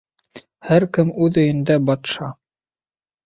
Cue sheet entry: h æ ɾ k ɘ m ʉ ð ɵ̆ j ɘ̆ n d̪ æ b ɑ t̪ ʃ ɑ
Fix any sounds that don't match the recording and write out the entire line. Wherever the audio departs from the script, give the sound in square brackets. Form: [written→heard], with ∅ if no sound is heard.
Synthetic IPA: h æ ɾ k ɘ m ʉ ð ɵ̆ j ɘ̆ n d̪ æ b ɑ t̪ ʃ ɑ